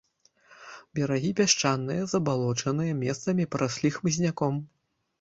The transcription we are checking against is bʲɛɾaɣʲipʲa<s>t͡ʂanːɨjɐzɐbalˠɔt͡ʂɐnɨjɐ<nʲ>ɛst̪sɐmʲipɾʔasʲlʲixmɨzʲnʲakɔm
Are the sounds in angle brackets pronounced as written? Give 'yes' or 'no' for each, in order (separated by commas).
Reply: no, no